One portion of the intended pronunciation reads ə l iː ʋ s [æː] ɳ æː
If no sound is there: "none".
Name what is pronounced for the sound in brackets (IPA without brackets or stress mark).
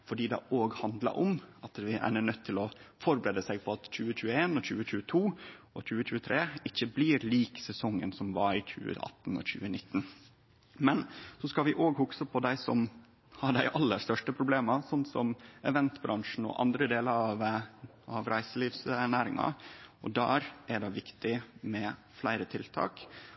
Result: æ